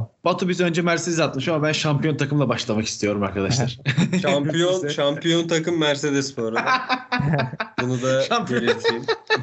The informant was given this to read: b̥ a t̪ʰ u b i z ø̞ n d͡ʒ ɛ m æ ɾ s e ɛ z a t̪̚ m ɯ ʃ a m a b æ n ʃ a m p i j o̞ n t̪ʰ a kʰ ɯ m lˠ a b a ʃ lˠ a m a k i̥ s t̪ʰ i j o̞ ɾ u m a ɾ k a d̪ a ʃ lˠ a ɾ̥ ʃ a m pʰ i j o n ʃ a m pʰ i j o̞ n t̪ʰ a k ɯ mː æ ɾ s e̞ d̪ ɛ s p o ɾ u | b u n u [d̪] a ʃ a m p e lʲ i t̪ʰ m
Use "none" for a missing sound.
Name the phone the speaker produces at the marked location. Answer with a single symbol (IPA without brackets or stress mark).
d̪